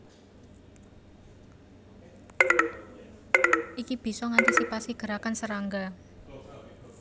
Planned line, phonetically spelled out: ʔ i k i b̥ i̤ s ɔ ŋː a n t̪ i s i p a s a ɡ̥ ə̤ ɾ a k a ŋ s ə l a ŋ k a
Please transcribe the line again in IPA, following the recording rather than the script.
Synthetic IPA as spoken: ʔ i k i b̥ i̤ s ɔ ŋ a n t̪ i s i p a s i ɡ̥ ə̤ ɾ a k a n s ə ɾ a ŋ ɡ a

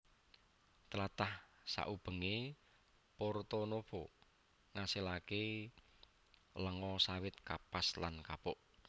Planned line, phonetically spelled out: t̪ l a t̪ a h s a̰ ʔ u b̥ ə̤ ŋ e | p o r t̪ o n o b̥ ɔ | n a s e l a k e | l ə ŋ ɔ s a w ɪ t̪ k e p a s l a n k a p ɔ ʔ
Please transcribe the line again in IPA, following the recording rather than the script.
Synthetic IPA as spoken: t̪ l a t̪ a h s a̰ ʔ u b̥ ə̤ ŋ e | p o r t̪ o n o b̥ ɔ | ŋ a s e l a k e | l ə ŋ ɔ s a w ɪ t̪ k a p a s l a n k a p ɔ ʔ

